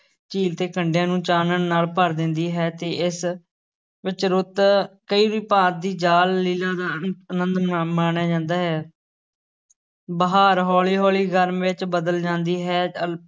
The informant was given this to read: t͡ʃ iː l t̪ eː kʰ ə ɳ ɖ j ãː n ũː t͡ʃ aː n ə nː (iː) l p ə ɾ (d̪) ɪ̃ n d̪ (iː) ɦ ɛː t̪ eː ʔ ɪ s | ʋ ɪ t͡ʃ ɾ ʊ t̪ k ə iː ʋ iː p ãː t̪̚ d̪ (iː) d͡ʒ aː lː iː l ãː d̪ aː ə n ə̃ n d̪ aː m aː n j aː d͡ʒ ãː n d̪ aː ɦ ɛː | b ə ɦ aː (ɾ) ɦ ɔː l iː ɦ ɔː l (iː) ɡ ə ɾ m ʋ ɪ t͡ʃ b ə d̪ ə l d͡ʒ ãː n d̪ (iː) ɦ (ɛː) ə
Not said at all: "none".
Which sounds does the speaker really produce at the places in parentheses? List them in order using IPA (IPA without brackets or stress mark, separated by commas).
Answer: aː, d̪, iː, iː, ɾ, iː, iː, ɛː